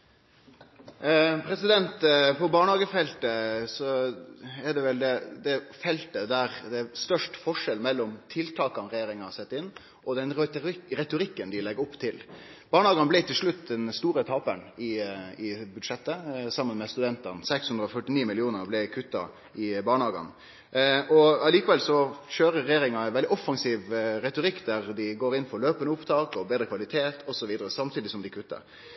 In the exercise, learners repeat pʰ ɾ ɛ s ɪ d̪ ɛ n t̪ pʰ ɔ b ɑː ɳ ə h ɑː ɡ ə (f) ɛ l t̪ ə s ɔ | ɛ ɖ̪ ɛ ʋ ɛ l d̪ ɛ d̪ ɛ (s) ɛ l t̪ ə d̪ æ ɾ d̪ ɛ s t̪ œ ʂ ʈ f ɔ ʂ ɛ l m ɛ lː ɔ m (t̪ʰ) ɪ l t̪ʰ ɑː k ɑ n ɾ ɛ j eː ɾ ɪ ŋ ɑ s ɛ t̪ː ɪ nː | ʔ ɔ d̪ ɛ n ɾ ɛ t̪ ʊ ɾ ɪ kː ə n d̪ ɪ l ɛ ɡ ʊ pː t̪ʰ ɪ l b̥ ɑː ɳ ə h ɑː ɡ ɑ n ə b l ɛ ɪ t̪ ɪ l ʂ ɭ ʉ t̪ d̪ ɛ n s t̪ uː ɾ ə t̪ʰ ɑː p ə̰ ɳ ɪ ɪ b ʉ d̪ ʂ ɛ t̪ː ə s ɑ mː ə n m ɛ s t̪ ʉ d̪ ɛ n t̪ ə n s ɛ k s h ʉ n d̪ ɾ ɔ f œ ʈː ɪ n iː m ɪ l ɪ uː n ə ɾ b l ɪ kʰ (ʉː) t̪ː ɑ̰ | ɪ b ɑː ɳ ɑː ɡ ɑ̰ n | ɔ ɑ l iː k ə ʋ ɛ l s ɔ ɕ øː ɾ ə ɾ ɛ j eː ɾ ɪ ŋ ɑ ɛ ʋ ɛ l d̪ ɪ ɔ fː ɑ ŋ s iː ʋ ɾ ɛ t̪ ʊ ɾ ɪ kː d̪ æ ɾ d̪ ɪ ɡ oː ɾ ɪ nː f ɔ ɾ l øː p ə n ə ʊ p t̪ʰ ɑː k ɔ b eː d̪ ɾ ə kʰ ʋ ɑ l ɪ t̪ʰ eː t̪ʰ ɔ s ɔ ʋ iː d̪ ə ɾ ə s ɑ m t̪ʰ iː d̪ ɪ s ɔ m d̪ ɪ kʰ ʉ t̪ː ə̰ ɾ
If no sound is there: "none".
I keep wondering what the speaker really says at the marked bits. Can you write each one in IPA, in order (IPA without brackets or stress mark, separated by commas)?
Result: f, f, t̪ʰ, ʉ